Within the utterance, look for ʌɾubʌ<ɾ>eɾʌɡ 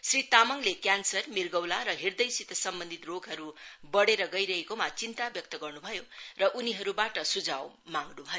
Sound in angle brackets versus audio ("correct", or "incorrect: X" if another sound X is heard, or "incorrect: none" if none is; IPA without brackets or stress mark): incorrect: ɽ